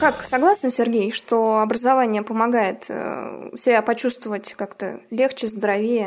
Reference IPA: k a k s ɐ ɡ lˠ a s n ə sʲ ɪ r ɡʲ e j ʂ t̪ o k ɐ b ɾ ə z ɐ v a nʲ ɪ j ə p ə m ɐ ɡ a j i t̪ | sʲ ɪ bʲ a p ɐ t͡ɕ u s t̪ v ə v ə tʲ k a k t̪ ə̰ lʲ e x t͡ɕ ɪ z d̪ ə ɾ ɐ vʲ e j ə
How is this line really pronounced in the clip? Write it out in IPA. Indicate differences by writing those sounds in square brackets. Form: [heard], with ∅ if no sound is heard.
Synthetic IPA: k a k s ɐ ɡ lˠ a s n ə sʲ ɪ r ɡʲ e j ʂ t̪ o [∅] ɐ b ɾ ə z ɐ v a nʲ ɪ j ə p ə m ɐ ɡ a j [ɪ] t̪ | sʲ ɪ bʲ a p ɐ t͡ɕ u s t̪ v ə v ə tʲ k a k t̪ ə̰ lʲ e x t͡ɕ ɪ z d̪ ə ɾ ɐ vʲ e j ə